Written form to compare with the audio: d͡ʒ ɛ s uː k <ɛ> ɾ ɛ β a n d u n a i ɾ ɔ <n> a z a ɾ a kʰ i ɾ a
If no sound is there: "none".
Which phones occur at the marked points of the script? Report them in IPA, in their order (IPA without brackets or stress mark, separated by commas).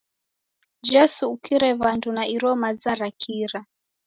i, m